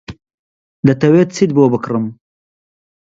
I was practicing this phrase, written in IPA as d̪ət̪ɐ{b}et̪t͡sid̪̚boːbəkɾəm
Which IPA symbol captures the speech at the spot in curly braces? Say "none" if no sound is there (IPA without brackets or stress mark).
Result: w